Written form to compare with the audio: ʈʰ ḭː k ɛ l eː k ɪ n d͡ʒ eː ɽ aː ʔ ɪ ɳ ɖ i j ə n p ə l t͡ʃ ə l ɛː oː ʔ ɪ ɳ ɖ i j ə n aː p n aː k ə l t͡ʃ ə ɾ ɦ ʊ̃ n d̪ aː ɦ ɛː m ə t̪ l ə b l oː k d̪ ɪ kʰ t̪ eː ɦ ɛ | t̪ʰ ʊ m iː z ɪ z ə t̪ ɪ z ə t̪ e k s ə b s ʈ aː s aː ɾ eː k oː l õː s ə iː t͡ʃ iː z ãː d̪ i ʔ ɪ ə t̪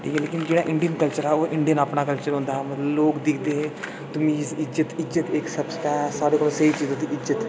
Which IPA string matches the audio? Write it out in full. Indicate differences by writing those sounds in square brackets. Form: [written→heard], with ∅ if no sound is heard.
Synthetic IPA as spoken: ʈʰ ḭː k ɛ l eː k ɪ n d͡ʒ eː ɽ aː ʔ ɪ ɳ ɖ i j ə n [p→k] ə l t͡ʃ ə [l→ɾ] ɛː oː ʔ ɪ ɳ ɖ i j ə n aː p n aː k ə l t͡ʃ ə ɾ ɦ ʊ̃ n d̪ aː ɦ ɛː m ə t̪ l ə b l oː k d̪ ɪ kʰ [t̪→d̪] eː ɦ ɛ | [t̪ʰ→t̪] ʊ m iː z ɪ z ə t̪ ɪ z ə t̪ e k s ə b s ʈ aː s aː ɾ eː k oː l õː s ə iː t͡ʃ iː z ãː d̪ i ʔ ɪ ə t̪